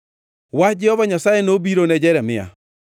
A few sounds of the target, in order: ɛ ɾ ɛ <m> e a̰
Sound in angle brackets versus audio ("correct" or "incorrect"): correct